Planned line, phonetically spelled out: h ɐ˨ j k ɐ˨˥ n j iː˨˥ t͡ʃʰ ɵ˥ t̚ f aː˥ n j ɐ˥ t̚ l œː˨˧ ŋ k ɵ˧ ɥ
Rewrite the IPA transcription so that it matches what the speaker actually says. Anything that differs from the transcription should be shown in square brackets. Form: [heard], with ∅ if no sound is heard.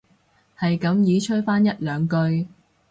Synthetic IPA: h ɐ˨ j k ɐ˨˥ [m] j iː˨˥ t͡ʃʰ ɵ˥ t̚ f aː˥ n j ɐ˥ t̚ l œː˨˧ ŋ k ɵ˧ ɥ